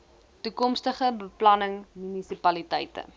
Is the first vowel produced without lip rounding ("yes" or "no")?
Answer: no